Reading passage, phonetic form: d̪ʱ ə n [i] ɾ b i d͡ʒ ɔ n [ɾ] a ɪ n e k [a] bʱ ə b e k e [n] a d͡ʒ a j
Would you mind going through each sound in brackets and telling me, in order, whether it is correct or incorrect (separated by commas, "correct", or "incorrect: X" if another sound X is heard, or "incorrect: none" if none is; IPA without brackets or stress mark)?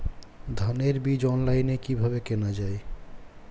incorrect: e, incorrect: l, incorrect: i, correct